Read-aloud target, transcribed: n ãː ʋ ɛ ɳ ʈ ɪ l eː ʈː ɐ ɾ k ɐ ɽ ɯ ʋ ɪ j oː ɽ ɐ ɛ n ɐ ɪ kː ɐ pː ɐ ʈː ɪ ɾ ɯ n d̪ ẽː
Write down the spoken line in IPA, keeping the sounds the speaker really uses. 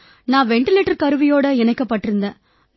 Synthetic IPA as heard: n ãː ʋ ɛ ɳ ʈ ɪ l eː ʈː ɐ ɾ k ɐ ɾ ɯ ʋ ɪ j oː ɽ ɐ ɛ n ɐ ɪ kː ɐ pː ɐ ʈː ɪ ɾ ɯ n d̪ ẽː